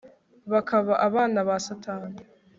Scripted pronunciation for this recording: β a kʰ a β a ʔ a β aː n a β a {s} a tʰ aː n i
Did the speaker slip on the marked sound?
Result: no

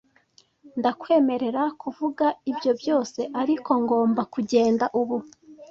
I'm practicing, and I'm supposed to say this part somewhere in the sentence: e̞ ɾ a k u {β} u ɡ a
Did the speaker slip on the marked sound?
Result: yes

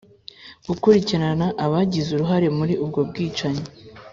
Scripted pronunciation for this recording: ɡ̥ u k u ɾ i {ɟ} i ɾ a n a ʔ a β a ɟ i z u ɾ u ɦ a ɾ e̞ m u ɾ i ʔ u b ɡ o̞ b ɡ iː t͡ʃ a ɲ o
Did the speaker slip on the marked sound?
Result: yes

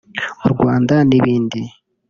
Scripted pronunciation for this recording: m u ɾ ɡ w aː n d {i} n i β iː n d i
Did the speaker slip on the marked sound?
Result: yes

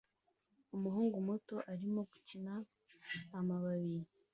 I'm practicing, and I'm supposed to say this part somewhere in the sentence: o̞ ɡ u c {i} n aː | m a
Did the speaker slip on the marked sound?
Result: no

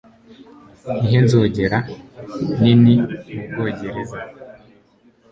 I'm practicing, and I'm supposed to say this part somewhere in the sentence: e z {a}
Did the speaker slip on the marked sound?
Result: no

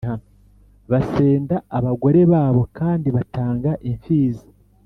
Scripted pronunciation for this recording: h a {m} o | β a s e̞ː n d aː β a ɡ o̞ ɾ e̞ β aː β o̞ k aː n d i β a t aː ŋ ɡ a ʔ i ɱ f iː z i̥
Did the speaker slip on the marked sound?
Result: yes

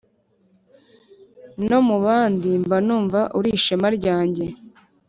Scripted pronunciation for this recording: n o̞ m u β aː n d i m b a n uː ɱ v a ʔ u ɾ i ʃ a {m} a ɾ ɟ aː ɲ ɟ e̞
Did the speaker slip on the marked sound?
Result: no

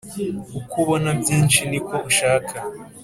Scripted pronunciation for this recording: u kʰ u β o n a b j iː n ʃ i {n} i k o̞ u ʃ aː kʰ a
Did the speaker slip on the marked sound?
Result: no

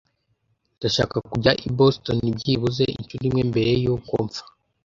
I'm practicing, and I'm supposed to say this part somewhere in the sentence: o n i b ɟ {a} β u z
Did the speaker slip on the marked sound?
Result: yes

